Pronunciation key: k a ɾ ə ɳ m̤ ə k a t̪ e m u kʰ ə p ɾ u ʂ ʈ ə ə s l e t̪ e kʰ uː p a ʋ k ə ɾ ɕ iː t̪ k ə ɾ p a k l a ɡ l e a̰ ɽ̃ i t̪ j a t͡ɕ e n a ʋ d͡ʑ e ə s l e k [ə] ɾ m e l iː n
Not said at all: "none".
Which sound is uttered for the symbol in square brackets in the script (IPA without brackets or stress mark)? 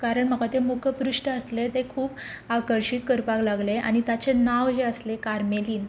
a